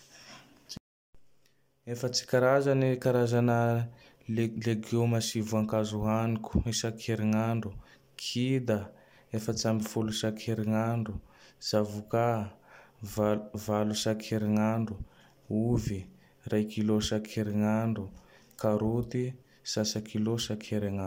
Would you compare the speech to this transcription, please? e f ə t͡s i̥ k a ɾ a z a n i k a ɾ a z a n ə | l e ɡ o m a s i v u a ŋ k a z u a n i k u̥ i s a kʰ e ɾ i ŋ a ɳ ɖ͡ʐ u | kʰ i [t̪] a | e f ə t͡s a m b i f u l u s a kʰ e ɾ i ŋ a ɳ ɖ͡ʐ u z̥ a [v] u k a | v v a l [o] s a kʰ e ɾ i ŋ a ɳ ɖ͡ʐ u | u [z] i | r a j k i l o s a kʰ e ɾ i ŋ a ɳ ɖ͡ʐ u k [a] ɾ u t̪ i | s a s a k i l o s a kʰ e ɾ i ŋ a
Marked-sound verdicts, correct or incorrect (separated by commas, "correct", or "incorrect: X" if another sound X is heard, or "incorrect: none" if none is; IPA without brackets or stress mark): incorrect: d̪, correct, incorrect: u, incorrect: v, correct